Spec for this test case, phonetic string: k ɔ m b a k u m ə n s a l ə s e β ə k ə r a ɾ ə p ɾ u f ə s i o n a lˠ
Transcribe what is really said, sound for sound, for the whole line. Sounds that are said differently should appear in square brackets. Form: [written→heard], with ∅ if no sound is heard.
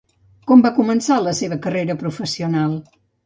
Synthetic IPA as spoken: k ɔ m b a k u m ə n s a l ə s e β ə k ə r [a→e] ɾ ə p ɾ u f ə s i [o→u] n a lˠ